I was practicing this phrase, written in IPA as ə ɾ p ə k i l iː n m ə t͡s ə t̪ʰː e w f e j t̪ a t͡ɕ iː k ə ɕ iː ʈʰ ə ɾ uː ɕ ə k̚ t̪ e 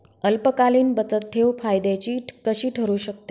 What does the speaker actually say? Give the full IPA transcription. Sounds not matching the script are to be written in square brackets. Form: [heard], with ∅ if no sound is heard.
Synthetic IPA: ə [l] p ə k [a] l iː n [b] ə t͡s ə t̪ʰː e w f [a] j [d̪] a t͡ɕ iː k ə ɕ iː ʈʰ ə ɾ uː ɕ ə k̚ t̪ e